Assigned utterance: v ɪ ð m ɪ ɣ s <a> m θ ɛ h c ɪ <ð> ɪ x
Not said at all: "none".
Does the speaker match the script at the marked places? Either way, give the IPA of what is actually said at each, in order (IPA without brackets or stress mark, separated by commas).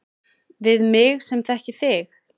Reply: ɛ, θ